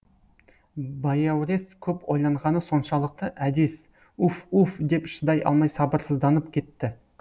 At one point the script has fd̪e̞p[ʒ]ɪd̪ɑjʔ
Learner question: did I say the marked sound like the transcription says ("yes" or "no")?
no